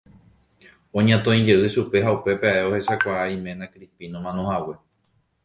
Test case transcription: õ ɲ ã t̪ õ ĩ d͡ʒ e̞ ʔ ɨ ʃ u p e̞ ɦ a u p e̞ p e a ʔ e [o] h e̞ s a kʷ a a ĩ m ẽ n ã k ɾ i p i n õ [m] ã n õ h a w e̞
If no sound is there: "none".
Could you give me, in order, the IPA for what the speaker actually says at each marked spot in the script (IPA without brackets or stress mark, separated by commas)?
o, m